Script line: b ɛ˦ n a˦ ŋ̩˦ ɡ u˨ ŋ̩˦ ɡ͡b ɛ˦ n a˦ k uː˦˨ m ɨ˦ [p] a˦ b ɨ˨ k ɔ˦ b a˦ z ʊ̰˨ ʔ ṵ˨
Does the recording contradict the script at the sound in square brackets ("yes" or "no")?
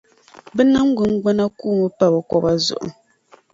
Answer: no